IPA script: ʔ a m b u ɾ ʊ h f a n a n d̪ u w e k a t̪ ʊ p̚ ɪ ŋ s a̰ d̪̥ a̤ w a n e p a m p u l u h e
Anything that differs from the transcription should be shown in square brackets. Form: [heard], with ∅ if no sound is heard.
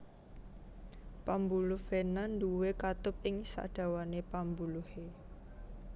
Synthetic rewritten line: [p] a m b u [l] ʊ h f [e] n a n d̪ u w e k a t̪ ʊ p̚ ɪ ŋ s a̰ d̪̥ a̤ w a n e p a m [b] u l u h e